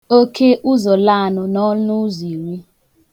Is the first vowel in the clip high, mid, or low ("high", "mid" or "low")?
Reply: mid